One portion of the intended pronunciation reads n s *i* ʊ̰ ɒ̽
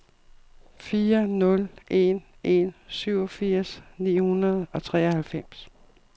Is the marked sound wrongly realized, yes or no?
yes